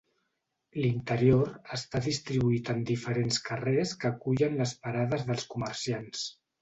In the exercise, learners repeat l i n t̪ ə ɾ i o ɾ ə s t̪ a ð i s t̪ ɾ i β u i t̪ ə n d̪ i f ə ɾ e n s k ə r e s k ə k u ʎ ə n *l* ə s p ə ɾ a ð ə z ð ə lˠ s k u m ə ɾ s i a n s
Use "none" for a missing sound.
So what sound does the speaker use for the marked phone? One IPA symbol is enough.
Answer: l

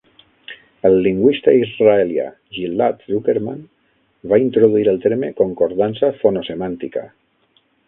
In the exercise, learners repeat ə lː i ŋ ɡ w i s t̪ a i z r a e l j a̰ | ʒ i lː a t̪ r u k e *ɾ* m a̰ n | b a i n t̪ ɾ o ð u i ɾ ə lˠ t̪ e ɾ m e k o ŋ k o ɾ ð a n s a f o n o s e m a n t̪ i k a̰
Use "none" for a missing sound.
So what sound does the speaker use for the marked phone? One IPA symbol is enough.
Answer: ɾ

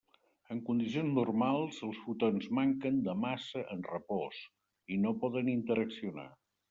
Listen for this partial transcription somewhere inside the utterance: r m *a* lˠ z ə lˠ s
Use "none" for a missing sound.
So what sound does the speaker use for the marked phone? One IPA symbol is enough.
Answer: a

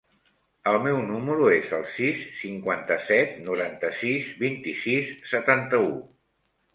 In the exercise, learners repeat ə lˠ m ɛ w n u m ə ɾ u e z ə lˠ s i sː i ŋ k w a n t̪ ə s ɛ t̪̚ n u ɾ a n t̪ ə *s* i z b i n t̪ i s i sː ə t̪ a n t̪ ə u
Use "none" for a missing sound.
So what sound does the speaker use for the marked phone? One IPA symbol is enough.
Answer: s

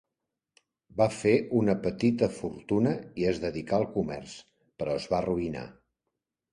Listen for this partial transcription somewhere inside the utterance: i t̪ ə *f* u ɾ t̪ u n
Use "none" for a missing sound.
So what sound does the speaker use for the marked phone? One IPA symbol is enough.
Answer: f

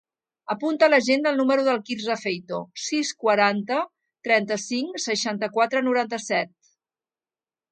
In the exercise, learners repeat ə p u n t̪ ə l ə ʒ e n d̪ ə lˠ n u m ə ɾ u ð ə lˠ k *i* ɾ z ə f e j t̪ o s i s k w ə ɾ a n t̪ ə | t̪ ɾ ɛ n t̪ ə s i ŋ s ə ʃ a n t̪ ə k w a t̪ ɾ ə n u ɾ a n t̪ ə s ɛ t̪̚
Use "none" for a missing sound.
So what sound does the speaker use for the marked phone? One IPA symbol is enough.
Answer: i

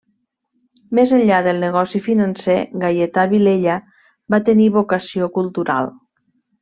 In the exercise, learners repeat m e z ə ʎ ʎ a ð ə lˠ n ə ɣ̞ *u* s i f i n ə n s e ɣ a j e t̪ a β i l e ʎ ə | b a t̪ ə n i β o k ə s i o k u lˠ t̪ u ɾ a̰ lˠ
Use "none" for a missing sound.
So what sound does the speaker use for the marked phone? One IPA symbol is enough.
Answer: ɔ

